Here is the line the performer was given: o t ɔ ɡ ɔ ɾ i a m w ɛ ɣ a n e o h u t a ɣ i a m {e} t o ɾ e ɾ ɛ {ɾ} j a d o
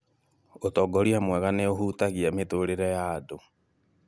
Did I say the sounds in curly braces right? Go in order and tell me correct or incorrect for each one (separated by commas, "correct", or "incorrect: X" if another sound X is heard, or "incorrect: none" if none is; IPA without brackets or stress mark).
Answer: correct, incorrect: none